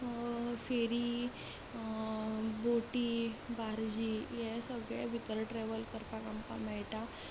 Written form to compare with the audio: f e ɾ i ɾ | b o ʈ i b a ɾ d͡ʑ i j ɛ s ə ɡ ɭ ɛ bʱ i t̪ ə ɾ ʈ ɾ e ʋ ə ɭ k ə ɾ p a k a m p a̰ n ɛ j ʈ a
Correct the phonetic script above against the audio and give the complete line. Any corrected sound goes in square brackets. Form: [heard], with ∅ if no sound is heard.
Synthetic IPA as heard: f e ɾ i [∅] | b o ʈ i b a ɾ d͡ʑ i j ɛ s ə ɡ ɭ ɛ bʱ i t̪ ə ɾ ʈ ɾ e ʋ ə [l] k ə ɾ p a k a m p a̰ [m] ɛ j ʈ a